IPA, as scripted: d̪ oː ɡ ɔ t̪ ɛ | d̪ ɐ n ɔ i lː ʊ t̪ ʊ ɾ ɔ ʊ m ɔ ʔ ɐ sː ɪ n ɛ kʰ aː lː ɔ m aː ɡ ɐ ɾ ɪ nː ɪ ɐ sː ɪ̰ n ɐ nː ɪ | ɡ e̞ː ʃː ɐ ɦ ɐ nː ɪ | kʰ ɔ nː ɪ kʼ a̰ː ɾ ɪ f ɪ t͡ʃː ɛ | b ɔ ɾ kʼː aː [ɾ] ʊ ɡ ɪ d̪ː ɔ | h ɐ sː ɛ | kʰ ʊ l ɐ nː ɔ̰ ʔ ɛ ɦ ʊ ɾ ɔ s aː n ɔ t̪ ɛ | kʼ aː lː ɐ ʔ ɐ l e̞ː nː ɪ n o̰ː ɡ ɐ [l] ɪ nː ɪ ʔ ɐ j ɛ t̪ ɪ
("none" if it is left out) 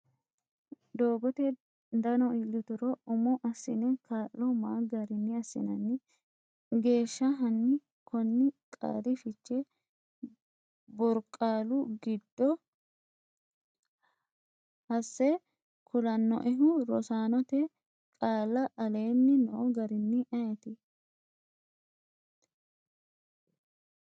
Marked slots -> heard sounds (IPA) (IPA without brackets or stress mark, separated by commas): l, ɾ